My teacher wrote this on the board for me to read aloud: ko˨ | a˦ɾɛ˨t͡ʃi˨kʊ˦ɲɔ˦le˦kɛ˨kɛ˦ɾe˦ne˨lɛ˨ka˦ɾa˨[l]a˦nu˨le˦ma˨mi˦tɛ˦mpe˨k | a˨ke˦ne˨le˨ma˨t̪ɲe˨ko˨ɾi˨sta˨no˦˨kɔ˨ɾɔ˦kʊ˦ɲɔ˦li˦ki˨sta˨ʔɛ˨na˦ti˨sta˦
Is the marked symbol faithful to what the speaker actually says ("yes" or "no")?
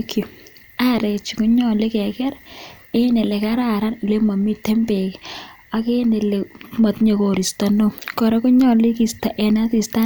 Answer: no